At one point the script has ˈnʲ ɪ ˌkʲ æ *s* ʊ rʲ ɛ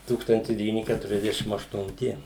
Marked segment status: incorrect: t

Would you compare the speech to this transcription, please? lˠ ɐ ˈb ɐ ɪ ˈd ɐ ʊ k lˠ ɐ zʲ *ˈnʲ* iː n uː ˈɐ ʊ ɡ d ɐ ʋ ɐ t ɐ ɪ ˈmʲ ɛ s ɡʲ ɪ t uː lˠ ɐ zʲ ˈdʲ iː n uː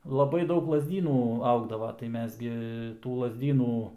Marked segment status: incorrect: dʲ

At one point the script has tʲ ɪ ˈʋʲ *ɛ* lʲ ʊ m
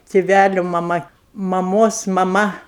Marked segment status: incorrect: æ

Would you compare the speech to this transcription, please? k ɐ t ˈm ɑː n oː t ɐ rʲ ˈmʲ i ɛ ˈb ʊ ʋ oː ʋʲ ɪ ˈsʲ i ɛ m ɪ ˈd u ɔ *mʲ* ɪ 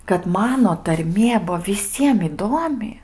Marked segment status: correct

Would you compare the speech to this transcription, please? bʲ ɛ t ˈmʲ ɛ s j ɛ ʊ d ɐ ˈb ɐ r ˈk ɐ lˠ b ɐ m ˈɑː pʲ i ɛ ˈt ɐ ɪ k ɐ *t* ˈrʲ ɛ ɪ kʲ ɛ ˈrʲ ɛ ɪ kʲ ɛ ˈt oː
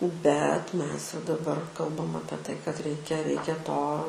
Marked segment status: correct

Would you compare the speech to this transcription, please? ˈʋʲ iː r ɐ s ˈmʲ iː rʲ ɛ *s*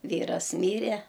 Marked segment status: incorrect: none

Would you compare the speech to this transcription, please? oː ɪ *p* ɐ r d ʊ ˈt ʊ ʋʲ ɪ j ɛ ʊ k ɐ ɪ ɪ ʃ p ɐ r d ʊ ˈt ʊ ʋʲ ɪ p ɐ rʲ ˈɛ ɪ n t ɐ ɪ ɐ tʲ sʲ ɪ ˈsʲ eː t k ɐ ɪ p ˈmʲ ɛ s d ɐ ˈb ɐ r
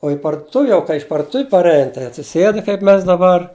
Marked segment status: correct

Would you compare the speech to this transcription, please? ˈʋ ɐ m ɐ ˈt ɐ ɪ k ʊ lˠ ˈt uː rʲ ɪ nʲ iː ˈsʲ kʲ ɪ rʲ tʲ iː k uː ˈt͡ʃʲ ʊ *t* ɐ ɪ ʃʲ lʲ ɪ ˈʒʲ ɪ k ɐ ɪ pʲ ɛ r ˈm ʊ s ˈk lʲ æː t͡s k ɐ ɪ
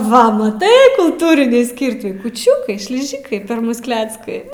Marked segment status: incorrect: k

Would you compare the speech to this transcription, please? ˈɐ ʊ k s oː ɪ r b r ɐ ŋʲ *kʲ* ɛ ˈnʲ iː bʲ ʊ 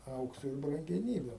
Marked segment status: incorrect: ɡʲ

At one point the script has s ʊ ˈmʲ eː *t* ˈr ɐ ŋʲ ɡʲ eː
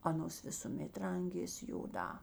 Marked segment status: correct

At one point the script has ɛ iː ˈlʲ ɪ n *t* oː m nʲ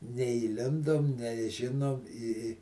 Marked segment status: incorrect: d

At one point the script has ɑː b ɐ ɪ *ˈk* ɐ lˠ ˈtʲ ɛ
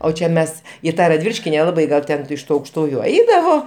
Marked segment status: incorrect: ɡ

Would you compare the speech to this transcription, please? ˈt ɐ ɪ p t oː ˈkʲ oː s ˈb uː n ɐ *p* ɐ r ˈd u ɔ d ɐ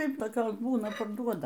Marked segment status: correct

